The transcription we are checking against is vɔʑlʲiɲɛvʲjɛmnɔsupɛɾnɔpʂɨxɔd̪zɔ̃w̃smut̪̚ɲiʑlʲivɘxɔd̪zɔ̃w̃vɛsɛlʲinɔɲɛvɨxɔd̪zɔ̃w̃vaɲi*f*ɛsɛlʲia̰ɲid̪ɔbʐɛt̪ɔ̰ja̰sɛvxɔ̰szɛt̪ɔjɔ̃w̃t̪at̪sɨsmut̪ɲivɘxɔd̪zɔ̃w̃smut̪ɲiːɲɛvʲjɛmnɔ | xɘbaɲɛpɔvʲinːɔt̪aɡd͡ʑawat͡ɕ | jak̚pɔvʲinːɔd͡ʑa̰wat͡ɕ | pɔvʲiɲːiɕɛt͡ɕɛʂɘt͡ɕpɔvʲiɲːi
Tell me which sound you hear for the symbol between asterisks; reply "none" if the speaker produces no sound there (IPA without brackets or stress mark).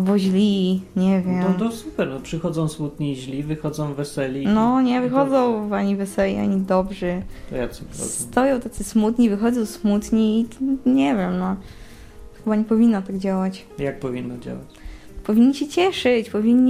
v